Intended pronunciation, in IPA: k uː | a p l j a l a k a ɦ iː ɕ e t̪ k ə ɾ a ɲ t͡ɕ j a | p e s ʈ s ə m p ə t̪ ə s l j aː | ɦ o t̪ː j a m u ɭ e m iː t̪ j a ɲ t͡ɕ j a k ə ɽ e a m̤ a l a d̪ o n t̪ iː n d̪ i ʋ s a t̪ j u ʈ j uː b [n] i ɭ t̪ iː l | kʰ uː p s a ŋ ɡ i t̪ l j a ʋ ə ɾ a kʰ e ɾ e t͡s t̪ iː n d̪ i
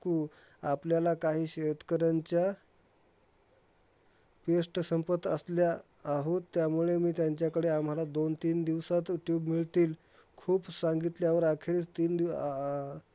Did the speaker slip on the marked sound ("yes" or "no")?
yes